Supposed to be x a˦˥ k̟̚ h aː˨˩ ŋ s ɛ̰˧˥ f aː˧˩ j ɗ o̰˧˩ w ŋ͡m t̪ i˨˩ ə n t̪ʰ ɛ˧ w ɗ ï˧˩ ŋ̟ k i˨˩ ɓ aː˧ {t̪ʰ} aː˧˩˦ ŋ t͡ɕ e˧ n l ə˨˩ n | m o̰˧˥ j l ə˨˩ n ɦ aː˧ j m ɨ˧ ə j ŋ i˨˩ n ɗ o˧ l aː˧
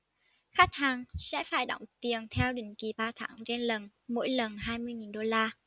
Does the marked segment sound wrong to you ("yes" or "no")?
no